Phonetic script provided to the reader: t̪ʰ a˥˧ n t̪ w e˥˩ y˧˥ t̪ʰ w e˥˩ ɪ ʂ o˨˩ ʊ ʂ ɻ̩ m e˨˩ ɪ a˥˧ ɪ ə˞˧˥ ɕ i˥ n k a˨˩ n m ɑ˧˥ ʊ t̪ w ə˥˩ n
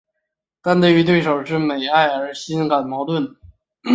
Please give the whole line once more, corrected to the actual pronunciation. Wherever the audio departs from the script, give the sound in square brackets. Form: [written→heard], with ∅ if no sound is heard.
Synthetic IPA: [t̪ʰ→t̪] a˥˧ n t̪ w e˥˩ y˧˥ [t̪ʰ→t̪] w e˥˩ ɪ ʂ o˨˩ ʊ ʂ ɻ̩ m e˨˩ ɪ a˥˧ ɪ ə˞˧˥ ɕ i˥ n k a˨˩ n m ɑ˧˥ ʊ t̪ w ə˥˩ n

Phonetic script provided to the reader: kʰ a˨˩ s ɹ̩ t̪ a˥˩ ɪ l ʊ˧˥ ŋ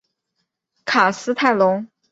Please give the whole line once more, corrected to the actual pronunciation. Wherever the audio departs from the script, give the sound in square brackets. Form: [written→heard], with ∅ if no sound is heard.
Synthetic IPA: kʰ a˨˩ s ɹ̩ [t̪→t̪ʰ] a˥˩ ɪ l ʊ˧˥ ŋ

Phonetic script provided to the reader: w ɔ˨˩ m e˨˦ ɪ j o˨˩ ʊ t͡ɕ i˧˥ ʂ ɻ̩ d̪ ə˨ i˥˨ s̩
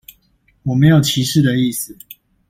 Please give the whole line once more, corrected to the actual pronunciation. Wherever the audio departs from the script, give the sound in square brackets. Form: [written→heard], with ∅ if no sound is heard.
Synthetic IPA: w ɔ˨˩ m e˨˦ ɪ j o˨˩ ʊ [t͡ɕ→t͡ɕʰ] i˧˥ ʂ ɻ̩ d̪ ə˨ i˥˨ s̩

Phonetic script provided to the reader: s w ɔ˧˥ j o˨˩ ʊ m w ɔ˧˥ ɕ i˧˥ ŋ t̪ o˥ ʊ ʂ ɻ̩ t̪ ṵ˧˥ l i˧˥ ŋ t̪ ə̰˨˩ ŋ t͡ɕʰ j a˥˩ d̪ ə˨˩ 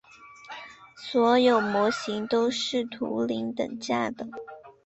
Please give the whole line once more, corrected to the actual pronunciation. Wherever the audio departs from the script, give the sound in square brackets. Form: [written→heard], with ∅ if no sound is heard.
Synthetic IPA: s w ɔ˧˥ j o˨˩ ʊ m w ɔ˧˥ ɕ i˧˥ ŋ t̪ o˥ ʊ ʂ ɻ̩ [t̪→t̪ʰ] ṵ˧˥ l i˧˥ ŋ t̪ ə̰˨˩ ŋ [t͡ɕʰ→t͡ɕ] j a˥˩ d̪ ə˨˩

